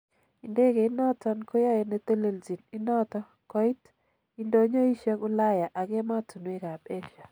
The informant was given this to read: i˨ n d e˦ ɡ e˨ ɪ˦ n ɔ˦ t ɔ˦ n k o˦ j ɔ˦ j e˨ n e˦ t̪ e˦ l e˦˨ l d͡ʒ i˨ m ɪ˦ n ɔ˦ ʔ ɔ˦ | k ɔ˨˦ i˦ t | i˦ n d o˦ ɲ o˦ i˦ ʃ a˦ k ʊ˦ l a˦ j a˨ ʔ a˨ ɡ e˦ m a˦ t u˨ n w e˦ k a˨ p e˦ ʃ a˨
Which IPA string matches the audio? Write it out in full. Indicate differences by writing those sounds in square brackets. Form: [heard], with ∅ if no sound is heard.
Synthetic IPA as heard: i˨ n d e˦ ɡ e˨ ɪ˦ n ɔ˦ t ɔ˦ n k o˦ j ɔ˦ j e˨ n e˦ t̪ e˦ l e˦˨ l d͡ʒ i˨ [n] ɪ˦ n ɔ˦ [t] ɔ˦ | k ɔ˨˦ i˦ t | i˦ n d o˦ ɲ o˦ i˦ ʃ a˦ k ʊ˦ l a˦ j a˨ ʔ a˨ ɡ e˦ m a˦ t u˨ n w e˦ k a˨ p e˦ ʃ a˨